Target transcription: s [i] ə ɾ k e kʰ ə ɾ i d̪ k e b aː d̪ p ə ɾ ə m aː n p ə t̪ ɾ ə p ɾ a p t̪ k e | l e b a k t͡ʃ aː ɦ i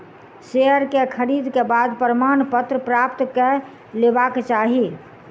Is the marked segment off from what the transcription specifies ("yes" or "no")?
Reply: yes